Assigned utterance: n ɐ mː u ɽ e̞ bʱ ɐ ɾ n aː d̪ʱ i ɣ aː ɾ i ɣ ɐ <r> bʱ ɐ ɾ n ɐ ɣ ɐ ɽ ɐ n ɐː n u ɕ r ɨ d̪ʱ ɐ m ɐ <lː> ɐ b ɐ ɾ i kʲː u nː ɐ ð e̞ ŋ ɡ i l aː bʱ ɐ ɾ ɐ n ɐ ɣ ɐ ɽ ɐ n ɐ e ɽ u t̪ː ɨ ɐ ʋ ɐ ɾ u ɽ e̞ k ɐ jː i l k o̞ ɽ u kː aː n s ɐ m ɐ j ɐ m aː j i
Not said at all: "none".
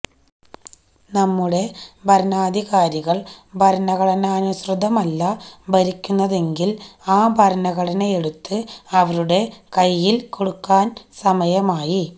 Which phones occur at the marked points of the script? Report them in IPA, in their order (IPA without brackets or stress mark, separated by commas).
ɭ, lː